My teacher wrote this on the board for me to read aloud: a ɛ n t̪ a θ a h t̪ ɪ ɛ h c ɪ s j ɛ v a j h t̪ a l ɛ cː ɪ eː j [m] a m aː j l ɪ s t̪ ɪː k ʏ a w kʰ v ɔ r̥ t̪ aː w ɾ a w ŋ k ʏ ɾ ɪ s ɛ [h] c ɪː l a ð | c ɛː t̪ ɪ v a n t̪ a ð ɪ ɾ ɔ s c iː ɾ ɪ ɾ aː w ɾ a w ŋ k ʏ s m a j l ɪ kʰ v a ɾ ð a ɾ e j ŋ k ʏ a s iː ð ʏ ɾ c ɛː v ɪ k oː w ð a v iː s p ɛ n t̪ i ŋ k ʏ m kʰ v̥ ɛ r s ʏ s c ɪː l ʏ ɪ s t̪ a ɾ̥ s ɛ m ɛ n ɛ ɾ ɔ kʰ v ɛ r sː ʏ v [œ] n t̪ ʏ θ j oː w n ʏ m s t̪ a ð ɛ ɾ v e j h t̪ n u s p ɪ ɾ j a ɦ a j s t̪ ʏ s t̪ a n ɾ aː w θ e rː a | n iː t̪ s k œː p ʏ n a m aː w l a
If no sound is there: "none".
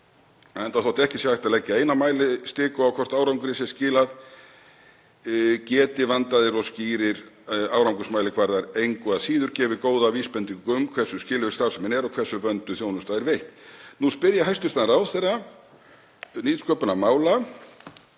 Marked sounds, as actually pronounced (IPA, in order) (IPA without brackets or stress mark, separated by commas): n, s, œ